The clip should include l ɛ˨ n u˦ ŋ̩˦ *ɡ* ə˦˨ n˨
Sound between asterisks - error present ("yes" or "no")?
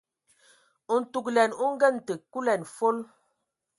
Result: no